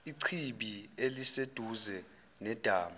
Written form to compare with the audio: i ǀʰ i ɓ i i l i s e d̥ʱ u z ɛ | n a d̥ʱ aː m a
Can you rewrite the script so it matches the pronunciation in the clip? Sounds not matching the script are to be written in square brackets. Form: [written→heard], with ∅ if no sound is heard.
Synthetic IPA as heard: i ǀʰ i ɓ i [i→e] l i s e d̥ʱ u z ɛ | n [a→ɛ] d̥ʱ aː m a

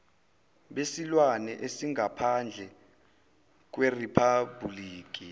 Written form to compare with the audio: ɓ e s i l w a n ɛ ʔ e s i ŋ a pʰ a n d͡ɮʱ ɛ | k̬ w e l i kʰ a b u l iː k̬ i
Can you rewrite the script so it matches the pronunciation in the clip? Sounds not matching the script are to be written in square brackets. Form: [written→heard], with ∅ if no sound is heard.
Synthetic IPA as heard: ɓ e s i l w a n ɛ ʔ e s i ŋ a pʰ a n d͡ɮʱ ɛ | k̬ w e [l→r] i [kʰ→pʰ] a b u l iː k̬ i

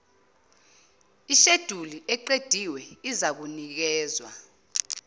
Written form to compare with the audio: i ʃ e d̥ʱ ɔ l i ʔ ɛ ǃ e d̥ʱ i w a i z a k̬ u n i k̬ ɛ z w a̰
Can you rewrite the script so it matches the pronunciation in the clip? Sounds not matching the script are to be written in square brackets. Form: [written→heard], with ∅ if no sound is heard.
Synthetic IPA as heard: i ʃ e d̥ʱ [ɔ→u] l i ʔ ɛ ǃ e d̥ʱ i w [a→ɛ] i z a k̬ u n i k̬ [ɛ→ɛː] z w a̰

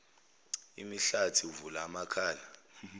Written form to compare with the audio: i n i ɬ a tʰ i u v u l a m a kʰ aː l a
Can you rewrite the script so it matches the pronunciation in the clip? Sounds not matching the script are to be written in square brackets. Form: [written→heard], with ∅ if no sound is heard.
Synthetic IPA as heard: i [n→m] i ɬ a tʰ i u v u l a m a kʰ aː l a

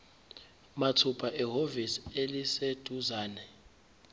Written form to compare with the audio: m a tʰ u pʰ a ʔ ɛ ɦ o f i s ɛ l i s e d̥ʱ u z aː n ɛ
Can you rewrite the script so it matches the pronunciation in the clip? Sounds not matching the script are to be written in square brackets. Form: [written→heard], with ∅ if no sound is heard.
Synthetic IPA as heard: m a tʰ u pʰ a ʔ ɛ ɦ o [f→v] i s [ɛ→e] l i s e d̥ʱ u z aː n ɛ

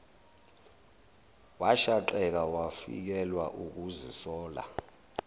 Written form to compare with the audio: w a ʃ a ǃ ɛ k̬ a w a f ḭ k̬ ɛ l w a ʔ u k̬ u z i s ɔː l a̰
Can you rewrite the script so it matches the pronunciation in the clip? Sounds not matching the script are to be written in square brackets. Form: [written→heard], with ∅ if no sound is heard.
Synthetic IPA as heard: w a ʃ a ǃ ɛ k̬ a w a f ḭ k̬ ɛ l w a ʔ u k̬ u z i s ɔː l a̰

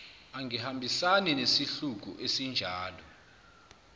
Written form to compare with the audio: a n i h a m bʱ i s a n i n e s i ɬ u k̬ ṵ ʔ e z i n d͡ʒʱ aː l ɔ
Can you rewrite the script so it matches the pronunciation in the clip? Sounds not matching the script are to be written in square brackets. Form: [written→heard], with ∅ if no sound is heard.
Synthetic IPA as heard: a [n→ŋ] i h a m bʱ i s a n i n e s i ɬ u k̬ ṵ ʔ e [z→s] i n d͡ʒʱ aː l ɔ

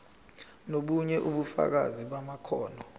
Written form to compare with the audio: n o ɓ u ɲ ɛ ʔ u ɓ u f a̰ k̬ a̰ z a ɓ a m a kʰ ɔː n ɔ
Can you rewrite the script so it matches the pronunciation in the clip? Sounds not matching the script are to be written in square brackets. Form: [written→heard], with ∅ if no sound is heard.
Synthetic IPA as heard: n o ɓ u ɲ ɛ ʔ u ɓ u f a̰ k̬ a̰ z [a→i] ɓ a m a kʰ ɔː n ɔ

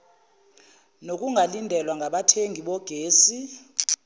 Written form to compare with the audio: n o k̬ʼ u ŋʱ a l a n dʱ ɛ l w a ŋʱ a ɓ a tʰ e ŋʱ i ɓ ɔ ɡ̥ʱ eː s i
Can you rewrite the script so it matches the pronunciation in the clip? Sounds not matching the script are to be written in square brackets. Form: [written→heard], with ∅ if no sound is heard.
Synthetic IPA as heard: n o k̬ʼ u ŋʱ a l [a→i] n dʱ ɛ l w a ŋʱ a ɓ a tʰ e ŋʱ i ɓ ɔ ɡ̥ʱ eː s i

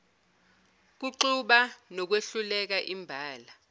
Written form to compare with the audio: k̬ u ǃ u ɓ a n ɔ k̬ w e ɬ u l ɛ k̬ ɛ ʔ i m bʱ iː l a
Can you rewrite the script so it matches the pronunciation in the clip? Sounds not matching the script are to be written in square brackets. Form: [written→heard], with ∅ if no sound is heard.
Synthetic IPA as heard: k̬ u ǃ u ɓ a n ɔ k̬ w e ɬ u l ɛ k̬ [ɛ→a] ʔ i m bʱ [iː→aː] l a

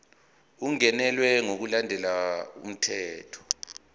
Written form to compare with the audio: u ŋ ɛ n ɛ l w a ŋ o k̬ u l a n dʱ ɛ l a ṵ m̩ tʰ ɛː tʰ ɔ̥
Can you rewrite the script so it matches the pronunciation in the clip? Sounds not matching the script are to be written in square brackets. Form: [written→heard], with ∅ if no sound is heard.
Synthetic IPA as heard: u ŋ ɛ n ɛ l w [a→ɛ] ŋ o k̬ u l a n dʱ ɛ l a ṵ m̩ tʰ ɛː tʰ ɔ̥

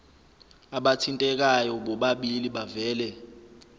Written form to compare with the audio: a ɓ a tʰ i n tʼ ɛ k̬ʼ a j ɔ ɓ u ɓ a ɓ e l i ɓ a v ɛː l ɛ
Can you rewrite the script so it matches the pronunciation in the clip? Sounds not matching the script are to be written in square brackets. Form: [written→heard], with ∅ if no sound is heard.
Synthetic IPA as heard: a ɓ a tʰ i n tʼ ɛ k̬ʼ a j ɔ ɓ [u→ɔ] ɓ a ɓ [e→i] l i ɓ a v ɛː l ɛ

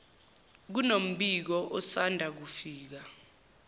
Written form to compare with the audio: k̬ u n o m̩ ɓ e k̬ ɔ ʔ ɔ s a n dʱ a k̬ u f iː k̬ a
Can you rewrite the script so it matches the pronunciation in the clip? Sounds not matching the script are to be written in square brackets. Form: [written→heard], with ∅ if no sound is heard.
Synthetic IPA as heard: k̬ u n o m̩ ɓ [e→i] k̬ ɔ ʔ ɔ s a n dʱ a k̬ u f iː k̬ a

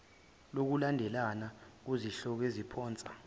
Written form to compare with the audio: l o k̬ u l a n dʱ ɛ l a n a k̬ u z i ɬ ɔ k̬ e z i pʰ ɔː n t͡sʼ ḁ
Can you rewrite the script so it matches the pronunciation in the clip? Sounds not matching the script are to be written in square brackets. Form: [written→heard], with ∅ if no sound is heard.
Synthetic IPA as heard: l o k̬ u l a n dʱ ɛ l a n a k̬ u z i ɬ ɔ k̬ e z i pʰ ɔː n t͡sʼ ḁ

